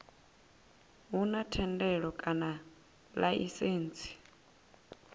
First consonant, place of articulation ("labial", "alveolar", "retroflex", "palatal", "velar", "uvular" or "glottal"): glottal